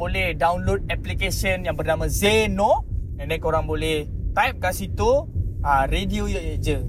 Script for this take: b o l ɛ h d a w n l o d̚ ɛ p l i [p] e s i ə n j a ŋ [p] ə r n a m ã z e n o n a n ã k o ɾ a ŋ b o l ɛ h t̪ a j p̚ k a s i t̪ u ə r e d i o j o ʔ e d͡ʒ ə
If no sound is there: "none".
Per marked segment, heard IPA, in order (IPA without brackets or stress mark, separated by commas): k, b